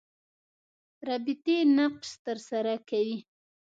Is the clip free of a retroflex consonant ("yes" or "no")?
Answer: yes